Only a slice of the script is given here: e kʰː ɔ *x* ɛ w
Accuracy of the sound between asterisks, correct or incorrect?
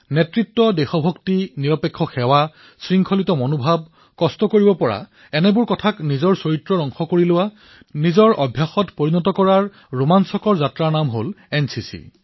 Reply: correct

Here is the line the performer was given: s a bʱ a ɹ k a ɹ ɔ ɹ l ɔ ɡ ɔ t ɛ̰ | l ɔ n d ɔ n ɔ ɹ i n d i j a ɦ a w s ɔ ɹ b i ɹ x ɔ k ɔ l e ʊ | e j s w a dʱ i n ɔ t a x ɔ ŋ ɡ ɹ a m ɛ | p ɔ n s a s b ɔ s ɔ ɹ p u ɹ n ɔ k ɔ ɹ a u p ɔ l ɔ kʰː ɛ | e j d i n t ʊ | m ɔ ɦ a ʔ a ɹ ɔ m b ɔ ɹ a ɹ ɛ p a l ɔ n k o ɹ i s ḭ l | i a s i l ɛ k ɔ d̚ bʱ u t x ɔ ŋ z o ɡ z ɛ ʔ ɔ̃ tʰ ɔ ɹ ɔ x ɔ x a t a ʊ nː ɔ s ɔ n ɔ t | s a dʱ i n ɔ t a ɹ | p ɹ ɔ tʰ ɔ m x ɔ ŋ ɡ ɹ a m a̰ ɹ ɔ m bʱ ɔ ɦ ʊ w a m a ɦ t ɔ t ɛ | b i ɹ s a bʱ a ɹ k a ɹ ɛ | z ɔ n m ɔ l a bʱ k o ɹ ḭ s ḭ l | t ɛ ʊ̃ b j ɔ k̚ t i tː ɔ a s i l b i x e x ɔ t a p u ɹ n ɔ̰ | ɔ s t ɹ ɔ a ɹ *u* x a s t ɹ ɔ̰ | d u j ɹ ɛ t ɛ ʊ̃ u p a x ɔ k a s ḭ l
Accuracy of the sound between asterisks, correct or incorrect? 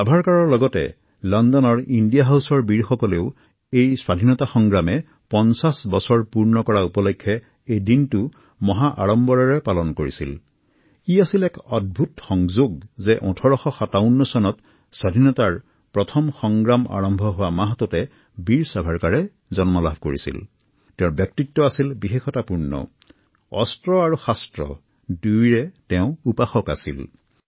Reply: correct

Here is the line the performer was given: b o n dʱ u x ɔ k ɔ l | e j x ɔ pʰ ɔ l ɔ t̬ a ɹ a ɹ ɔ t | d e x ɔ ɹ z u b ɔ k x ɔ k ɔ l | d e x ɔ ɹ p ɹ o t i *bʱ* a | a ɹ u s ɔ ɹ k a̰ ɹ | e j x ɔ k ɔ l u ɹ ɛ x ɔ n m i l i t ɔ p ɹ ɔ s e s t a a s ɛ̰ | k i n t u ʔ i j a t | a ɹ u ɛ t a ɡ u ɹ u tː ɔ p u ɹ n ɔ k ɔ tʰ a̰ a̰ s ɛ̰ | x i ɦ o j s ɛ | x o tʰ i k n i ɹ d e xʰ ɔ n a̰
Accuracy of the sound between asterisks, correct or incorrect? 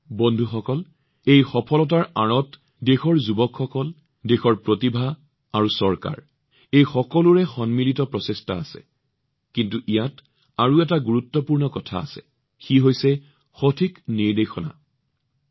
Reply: correct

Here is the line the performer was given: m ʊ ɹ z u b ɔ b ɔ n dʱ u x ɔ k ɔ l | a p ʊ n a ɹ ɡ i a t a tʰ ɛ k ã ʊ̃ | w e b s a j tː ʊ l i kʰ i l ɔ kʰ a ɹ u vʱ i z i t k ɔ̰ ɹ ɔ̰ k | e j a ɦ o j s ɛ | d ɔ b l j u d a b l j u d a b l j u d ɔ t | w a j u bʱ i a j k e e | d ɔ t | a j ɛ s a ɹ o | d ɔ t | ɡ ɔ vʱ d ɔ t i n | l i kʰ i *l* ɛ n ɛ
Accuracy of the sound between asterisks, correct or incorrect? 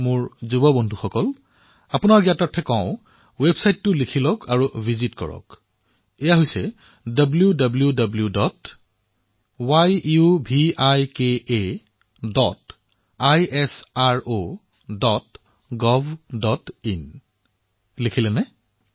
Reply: correct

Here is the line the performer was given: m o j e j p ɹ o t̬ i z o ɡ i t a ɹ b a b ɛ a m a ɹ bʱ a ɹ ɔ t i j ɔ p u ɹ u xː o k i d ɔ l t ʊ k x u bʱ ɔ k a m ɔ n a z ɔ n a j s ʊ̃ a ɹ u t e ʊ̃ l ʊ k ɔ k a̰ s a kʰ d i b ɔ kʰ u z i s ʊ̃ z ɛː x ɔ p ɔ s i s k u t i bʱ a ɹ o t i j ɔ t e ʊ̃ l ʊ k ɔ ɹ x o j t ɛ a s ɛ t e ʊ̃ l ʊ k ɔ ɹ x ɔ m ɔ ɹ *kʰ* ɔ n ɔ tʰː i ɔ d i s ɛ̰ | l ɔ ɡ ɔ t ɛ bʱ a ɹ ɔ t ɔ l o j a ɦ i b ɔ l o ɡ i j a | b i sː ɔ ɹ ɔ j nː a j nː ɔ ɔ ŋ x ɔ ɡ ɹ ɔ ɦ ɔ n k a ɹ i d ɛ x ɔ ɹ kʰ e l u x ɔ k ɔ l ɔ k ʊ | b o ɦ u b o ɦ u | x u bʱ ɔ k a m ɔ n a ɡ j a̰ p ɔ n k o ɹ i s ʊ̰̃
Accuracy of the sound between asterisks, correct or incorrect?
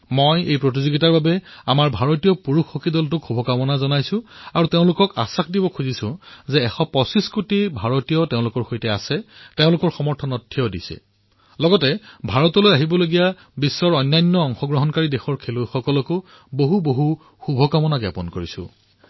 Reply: incorrect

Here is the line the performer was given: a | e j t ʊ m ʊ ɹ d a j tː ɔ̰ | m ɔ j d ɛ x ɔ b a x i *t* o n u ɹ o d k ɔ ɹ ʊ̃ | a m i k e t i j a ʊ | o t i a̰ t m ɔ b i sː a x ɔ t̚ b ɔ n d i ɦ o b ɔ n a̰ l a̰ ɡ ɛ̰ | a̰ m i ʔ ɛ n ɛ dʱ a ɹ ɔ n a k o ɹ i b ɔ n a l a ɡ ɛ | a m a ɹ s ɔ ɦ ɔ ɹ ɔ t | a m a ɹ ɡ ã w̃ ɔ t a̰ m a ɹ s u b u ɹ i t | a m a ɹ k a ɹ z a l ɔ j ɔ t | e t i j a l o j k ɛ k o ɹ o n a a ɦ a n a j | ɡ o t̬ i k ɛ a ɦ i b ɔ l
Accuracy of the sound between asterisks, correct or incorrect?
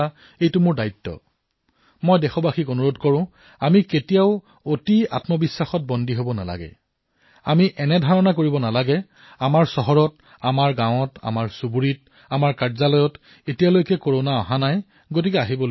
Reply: incorrect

